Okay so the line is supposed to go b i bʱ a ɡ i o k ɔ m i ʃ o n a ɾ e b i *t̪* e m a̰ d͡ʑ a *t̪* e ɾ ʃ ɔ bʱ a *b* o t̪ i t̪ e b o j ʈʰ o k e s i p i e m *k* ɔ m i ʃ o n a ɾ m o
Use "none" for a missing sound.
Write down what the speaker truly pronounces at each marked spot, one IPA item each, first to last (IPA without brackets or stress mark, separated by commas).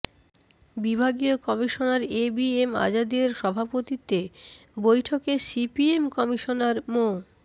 none, d̪, p, k